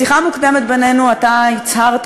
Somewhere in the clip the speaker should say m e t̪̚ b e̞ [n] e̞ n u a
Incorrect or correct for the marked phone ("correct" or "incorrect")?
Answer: correct